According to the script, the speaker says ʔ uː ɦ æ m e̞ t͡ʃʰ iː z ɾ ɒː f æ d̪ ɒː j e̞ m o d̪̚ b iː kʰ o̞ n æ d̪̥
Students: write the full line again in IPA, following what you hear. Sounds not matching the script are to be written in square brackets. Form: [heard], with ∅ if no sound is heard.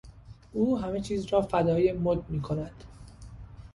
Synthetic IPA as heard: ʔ uː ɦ æ m e̞ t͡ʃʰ iː z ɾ ɒː f æ d̪ ɒː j e̞ m o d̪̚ [m] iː kʰ o̞ n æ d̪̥